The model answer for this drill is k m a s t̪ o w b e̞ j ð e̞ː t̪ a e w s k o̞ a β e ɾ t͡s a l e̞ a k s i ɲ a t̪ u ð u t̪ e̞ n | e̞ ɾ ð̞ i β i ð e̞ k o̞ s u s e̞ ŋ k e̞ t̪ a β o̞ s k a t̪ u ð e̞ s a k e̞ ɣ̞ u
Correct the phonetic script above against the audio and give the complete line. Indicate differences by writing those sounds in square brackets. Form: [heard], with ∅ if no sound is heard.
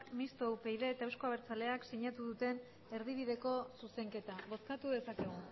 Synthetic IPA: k m [i] s t̪ o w [p] e̞ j ð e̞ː t̪ a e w s k o̞ a β e ɾ t͡s a l e̞ a k s i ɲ a t̪ u ð u t̪ e̞ n | e̞ ɾ ð̞ i β i ð e̞ k o̞ s u s e̞ ŋ k e̞ t̪ a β o̞ s k a t̪ u ð e̞ s a k e̞ ɣ̞ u